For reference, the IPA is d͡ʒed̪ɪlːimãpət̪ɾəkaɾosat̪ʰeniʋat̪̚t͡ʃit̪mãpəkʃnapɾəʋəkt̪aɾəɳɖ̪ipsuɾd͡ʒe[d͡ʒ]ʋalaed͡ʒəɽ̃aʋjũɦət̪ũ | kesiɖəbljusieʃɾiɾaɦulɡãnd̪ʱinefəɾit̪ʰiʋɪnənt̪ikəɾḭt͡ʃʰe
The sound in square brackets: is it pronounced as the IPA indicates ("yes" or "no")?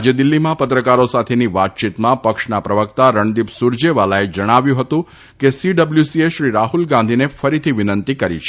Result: no